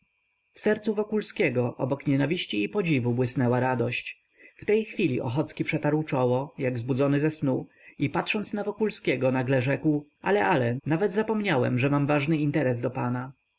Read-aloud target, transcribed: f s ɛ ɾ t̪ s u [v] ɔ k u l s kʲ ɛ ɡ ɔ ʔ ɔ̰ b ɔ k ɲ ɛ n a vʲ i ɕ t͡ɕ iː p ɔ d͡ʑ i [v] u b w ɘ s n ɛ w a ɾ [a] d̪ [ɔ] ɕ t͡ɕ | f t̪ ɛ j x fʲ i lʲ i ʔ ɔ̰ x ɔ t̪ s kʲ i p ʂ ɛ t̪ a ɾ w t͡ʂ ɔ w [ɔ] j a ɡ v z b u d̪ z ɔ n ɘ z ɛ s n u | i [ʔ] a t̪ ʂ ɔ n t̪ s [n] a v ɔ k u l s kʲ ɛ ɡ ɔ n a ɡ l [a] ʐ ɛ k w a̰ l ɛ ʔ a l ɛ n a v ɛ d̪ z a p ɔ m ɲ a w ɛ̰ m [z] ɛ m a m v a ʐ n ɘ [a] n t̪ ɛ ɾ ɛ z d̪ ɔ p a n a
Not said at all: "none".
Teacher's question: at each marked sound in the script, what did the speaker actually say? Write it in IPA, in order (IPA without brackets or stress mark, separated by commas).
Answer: v, v, a, ɔ, ɔ, p, n, ɛ, ʐ, i